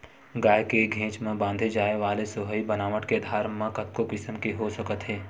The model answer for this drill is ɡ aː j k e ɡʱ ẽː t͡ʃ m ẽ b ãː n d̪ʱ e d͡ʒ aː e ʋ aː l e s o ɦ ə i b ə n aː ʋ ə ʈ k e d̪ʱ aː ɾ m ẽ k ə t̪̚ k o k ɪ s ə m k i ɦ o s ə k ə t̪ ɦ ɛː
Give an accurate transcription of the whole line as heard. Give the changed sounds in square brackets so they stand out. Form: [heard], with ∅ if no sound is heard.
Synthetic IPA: ɡ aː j k e ɡʱ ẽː t͡ʃ m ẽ b ãː n d̪ʱ e d͡ʒ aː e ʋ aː l e s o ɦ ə i b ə n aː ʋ ə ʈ k e d̪ʱ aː ɾ m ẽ k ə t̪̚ k o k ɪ s ə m k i ɦ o s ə k ə t̪ ɦ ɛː